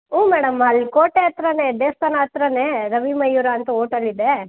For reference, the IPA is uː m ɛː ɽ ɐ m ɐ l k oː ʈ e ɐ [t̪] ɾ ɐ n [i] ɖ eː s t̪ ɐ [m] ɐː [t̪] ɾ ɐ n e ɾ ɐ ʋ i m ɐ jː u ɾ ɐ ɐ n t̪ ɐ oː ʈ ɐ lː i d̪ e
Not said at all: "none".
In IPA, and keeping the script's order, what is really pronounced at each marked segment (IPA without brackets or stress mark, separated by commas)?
t̪, e, n, t̪